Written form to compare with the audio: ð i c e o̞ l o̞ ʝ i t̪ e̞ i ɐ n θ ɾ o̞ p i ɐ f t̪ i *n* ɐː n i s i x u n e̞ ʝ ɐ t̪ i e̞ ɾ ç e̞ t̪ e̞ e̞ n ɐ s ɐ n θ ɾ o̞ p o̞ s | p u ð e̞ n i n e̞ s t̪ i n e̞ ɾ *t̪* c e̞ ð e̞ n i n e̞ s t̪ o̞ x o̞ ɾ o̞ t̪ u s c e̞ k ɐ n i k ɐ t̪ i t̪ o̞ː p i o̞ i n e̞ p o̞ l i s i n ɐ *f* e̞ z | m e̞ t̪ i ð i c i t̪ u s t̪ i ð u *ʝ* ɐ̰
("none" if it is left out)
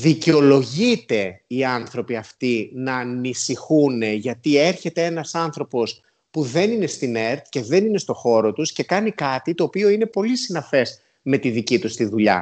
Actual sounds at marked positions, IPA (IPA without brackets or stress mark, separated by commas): n, t̪, f, ʎ